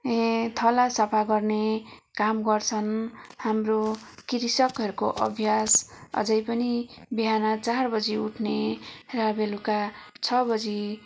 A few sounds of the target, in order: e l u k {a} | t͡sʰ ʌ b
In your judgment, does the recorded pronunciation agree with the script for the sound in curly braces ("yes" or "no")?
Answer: yes